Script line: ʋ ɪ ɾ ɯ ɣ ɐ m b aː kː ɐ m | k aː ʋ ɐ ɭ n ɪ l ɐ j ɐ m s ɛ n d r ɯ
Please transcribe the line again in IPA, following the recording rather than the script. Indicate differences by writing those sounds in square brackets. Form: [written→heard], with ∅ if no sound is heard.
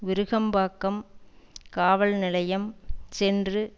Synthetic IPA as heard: ʋ ɪ ɾ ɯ ɣ ɐ m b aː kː ɐ m | k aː ʋ ɐ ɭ n ɪ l ɐ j ɐ m s ɛ n d r ɯ